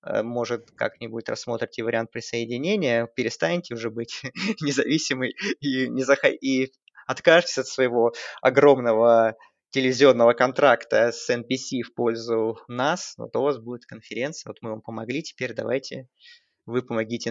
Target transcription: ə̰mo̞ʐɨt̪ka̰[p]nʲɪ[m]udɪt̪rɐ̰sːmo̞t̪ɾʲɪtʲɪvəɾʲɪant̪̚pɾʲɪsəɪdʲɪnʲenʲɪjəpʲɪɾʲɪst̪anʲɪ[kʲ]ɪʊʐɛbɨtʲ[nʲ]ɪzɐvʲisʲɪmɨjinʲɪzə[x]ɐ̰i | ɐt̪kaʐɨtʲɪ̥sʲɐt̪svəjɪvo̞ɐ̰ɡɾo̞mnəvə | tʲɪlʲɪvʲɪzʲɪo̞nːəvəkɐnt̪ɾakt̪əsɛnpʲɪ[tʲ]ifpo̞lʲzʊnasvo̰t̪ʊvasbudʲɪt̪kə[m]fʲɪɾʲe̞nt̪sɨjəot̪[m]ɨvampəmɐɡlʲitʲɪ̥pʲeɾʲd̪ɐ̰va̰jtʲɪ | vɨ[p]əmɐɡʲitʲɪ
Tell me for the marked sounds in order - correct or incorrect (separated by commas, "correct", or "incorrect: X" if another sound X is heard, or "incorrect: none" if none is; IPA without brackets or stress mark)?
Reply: incorrect: k, incorrect: b, incorrect: tʲ, correct, correct, incorrect: sʲ, incorrect: n, correct, correct